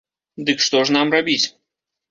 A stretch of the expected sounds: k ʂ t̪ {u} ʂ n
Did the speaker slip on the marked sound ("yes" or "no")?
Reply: yes